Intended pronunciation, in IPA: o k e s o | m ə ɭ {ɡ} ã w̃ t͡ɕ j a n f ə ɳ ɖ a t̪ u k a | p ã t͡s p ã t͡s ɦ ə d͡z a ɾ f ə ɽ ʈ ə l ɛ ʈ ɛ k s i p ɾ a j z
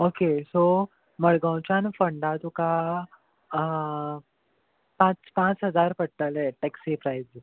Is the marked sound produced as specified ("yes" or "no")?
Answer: yes